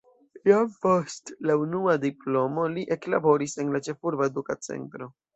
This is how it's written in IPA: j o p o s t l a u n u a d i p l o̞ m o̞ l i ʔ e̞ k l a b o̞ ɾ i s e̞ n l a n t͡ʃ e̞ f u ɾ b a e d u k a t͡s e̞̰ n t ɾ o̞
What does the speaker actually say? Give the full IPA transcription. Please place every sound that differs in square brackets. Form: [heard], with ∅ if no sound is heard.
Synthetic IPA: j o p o s t l a u n u a d i p l o̞ m o̞ l i ʔ e̞ k l a b o̞ ɾ i s e̞ n l a [∅] t͡ʃ e̞ f u ɾ b a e d u k a t͡s e̞̰ n t ɾ o̞